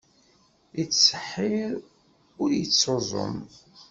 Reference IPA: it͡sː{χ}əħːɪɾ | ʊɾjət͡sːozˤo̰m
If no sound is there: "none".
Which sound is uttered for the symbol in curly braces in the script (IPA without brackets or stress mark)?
s